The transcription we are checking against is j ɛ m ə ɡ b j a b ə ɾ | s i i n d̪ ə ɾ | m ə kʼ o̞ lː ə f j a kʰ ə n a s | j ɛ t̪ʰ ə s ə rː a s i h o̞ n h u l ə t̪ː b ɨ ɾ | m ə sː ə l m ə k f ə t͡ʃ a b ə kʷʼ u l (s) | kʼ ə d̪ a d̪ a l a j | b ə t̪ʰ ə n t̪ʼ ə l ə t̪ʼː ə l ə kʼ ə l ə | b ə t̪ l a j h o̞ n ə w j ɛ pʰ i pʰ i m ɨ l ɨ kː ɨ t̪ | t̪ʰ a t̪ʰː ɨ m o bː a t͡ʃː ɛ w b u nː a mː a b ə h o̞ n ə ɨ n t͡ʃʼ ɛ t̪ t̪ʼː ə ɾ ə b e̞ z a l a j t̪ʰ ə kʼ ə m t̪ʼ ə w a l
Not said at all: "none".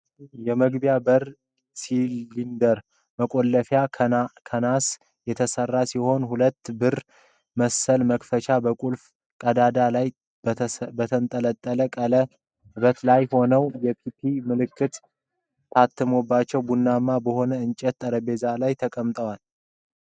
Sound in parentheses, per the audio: f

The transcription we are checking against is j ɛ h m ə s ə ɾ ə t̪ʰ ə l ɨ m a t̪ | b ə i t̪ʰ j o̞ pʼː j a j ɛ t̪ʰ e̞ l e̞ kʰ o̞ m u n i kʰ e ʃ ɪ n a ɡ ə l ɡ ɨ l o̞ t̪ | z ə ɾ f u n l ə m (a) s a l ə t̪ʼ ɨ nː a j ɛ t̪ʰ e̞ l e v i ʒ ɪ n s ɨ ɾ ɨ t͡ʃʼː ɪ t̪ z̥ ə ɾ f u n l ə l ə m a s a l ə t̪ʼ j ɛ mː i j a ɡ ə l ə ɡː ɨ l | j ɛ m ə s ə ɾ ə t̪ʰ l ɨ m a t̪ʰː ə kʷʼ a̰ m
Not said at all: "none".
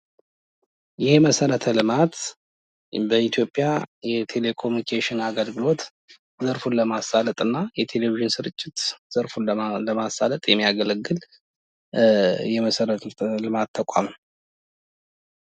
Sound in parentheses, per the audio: a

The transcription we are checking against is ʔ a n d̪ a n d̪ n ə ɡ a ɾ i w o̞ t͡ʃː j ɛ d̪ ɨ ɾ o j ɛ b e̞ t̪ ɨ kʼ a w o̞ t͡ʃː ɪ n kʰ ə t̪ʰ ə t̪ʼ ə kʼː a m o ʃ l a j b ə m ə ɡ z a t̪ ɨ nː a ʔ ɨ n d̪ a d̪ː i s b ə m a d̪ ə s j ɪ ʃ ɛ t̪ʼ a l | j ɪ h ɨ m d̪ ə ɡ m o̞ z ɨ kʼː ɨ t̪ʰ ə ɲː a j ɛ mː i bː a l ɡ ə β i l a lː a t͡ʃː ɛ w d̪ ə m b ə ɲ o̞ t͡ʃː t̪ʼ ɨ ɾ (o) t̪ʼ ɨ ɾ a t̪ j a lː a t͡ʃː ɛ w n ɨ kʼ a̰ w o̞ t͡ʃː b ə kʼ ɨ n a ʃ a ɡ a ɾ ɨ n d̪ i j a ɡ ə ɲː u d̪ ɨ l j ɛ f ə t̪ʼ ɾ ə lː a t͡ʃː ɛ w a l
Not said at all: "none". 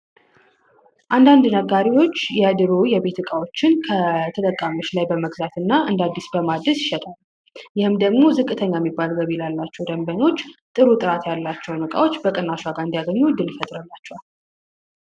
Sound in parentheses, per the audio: u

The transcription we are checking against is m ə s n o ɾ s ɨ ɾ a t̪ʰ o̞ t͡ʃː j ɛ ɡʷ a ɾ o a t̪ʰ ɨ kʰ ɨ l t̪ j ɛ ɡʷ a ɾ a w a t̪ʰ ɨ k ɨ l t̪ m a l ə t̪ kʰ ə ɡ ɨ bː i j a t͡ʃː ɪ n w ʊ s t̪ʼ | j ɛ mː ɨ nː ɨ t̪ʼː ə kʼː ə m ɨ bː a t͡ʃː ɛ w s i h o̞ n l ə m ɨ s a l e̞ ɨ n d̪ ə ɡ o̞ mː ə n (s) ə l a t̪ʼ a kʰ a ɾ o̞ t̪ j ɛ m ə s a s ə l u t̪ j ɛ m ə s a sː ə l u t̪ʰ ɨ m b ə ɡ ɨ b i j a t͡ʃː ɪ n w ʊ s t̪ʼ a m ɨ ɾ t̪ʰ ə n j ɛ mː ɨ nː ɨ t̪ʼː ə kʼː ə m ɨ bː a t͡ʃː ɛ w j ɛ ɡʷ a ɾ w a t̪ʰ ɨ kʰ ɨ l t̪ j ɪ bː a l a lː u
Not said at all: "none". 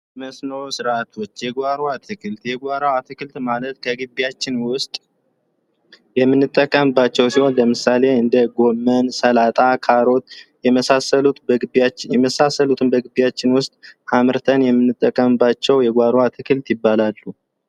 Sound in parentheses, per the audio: s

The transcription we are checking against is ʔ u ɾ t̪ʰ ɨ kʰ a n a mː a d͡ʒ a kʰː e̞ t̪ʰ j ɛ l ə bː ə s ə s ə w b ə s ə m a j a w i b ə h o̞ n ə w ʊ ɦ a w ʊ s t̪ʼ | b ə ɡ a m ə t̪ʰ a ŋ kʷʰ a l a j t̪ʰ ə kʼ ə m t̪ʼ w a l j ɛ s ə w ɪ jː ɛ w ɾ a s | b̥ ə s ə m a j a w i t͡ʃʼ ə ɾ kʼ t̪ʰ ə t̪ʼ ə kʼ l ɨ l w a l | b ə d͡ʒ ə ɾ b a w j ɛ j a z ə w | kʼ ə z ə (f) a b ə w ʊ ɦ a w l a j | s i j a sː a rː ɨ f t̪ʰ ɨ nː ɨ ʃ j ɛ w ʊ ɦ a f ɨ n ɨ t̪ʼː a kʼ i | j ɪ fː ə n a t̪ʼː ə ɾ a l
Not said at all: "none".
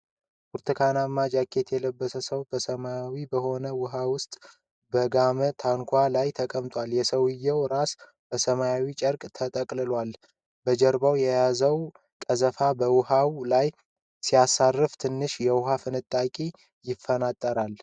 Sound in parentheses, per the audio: f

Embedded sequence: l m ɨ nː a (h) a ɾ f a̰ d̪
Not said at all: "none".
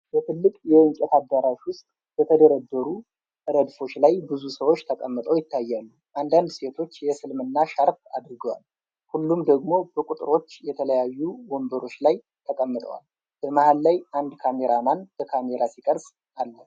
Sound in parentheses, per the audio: ʃ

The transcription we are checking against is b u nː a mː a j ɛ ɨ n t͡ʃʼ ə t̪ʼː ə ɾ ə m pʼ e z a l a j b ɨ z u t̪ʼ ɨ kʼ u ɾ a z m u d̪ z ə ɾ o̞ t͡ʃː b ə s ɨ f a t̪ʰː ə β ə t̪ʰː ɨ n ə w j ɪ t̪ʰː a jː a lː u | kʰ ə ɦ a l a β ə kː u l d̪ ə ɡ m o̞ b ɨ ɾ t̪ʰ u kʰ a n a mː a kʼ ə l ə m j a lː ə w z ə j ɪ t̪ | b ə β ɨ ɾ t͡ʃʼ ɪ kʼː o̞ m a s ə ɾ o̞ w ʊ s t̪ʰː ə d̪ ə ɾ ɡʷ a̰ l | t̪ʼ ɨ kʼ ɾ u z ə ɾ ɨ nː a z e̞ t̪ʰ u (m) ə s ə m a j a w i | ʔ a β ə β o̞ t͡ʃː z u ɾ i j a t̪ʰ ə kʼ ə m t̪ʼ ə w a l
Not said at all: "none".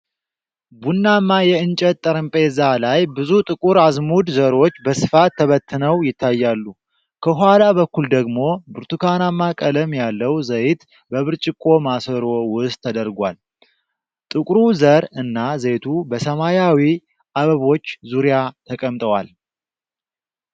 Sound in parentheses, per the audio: b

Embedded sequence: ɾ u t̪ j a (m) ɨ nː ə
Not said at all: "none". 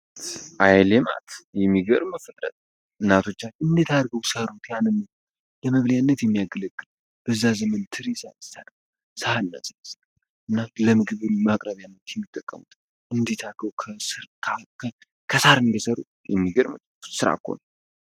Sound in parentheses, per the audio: n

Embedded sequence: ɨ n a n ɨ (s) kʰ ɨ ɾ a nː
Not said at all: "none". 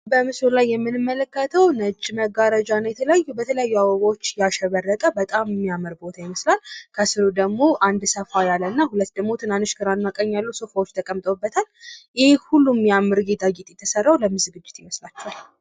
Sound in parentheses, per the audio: ʃ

